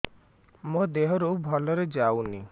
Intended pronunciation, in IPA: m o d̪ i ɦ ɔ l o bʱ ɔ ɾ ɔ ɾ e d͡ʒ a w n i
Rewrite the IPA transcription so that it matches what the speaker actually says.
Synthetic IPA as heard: m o d̪ e ɦ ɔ ɾ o bʱ ɔ l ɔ ɾ e d͡ʒ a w n i